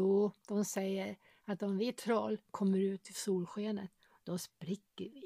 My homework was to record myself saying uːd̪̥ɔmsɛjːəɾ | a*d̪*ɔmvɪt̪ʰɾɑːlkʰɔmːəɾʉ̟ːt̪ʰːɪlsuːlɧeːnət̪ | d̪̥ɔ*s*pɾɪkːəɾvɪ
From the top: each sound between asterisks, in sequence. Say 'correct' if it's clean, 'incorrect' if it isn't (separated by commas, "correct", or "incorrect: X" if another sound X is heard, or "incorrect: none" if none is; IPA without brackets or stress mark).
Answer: incorrect: t̪, correct